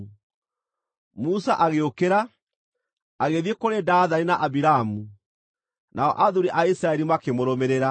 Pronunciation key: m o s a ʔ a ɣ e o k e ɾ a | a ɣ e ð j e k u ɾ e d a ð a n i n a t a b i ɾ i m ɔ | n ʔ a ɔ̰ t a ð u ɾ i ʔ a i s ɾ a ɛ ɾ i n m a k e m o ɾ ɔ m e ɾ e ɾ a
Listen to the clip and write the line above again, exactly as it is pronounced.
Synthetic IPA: m u s a ʔ a ɣ e o k e ɾ a | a ɣ e ð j e k o ɾ e d a ð a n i n a ʔ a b i ɾ a m u | n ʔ a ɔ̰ ʔ a ð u ɾ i ʔ a i s ɾ a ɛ ɾ i m a k e m o ɾ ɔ m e ɾ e ɾ a